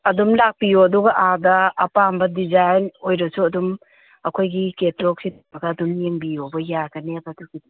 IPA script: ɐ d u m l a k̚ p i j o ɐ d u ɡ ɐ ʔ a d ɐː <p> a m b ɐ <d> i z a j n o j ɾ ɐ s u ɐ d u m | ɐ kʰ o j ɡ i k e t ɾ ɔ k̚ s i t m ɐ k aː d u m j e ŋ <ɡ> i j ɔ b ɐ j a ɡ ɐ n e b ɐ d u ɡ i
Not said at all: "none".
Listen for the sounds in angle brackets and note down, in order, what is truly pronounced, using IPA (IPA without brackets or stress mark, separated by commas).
p, d, b